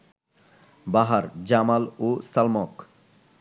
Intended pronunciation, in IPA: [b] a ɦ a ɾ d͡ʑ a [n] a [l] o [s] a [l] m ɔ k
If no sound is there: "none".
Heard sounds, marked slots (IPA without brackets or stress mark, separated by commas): b, m, l, s, l